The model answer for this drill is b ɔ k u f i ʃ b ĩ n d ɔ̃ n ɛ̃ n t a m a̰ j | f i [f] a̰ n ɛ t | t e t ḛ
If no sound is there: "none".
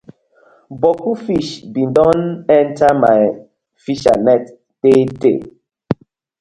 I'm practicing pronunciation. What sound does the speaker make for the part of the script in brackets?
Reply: ʃ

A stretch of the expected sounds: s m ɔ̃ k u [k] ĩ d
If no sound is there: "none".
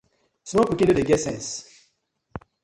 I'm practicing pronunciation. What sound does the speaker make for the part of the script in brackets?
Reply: k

